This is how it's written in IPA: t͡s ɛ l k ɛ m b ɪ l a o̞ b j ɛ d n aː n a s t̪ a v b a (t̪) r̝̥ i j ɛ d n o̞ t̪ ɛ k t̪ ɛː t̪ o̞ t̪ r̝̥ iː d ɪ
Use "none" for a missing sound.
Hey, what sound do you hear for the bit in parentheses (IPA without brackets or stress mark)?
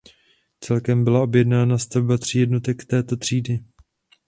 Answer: t̪